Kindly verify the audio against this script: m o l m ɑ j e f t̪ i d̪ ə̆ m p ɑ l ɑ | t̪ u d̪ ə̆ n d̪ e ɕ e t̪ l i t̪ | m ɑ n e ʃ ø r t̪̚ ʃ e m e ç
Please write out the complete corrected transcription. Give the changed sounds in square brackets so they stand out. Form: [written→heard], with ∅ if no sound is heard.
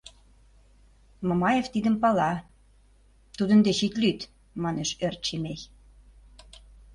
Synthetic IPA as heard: m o [l→∅] m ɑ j e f t̪ i d̪ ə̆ m p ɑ l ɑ | t̪ u d̪ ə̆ n d̪ e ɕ [e→i] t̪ l [i→y] t̪ | m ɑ n e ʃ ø r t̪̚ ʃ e m e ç